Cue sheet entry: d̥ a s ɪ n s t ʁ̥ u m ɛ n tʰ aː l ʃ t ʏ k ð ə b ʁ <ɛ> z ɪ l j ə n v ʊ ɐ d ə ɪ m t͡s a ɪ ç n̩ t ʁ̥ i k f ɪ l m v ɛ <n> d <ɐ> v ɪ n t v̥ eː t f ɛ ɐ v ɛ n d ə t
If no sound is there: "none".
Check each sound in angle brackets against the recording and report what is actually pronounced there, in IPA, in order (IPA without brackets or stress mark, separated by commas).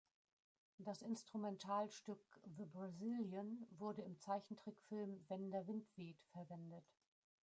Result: a, n, ɐ